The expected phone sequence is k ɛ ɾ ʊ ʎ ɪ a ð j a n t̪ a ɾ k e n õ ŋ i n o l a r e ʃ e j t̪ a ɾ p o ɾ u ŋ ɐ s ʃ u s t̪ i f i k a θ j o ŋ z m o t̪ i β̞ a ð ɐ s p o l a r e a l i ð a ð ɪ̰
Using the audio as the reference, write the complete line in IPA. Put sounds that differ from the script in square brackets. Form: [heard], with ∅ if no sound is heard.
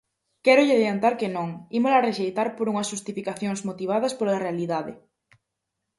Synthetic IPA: k ɛ ɾ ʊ ʎ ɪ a ð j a n t̪ a ɾ k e n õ ŋ i [m] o l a r e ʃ e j t̪ a ɾ p o ɾ u ŋ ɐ s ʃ u s t̪ i f i k a θ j o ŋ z m o t̪ i β̞ a ð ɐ s p o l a r e a l i ð a ð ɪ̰